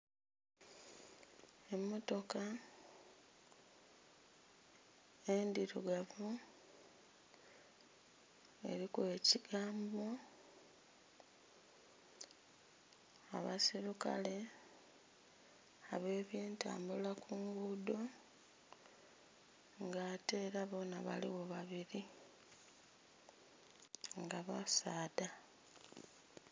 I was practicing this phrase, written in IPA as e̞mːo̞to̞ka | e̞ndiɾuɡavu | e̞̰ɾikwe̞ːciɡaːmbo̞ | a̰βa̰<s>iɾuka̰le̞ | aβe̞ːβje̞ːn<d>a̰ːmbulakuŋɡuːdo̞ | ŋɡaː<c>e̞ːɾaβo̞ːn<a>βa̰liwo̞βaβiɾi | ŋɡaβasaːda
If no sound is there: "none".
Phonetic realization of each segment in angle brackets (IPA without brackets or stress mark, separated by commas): s, t, t, a